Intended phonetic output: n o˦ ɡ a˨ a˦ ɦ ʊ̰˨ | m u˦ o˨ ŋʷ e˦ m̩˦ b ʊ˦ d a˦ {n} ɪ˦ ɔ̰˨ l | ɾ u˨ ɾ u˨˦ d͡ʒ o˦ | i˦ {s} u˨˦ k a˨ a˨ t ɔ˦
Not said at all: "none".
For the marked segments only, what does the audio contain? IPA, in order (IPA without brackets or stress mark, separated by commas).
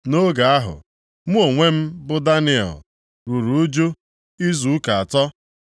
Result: n, z